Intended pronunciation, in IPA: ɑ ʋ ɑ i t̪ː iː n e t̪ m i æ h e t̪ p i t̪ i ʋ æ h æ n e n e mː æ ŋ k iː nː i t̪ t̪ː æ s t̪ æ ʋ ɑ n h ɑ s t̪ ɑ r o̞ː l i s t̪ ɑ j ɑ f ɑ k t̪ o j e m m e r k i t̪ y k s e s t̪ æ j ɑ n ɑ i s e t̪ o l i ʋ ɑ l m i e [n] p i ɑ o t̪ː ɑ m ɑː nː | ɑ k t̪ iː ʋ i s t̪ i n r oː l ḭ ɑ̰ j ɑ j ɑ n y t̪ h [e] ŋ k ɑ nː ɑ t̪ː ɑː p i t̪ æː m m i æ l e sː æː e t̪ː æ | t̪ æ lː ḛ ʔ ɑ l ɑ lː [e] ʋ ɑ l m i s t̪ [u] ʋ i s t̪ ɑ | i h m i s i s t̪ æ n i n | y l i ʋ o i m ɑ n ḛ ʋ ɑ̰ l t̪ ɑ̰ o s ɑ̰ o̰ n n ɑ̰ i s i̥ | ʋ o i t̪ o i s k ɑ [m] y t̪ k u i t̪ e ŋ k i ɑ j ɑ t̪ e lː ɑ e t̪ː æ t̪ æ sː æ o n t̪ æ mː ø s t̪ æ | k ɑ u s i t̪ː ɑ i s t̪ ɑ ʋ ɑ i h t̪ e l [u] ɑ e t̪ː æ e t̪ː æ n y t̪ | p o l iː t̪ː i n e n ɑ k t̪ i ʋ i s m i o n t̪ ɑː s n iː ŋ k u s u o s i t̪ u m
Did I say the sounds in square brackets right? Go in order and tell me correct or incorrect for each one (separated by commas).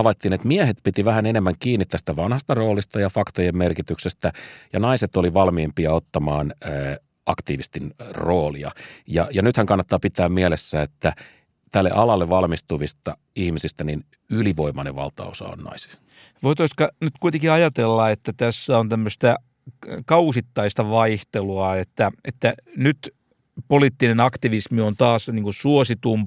incorrect, incorrect, correct, correct, incorrect, correct